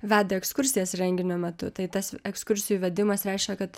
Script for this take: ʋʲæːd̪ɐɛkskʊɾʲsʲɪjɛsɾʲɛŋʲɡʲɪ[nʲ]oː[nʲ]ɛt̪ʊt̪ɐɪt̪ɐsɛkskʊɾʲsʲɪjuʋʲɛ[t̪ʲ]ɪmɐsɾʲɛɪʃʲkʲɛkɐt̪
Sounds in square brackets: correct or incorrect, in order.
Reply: correct, incorrect, incorrect

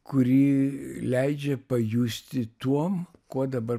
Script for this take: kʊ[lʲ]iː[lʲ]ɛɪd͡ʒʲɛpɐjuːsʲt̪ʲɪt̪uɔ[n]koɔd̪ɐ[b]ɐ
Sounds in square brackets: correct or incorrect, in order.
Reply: incorrect, correct, incorrect, correct

